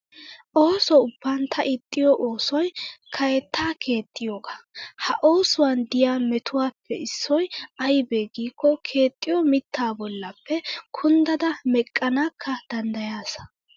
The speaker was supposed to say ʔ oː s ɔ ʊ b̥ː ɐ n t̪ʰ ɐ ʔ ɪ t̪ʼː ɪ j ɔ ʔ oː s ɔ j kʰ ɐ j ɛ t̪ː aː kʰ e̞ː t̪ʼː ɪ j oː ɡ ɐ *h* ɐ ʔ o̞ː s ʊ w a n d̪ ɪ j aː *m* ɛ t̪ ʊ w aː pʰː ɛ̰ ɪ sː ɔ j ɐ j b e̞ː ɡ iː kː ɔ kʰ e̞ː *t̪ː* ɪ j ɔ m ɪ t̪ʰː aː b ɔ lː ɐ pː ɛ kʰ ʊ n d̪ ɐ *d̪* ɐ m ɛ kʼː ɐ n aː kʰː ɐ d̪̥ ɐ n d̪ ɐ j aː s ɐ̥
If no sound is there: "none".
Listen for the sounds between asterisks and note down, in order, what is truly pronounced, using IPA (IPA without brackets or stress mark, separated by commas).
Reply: h, m, t̪ʼː, d̪